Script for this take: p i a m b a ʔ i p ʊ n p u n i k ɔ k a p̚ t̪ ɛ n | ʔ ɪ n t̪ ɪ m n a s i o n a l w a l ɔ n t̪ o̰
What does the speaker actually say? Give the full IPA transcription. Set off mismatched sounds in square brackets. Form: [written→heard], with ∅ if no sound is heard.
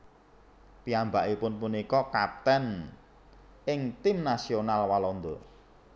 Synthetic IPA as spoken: p i a m b a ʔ i p ʊ n p u n i k ɔ k a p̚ t̪ ɛ n | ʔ ɪ [n→ŋ] t̪ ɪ m n a s i o n a l w a l ɔ n [t̪→d̪] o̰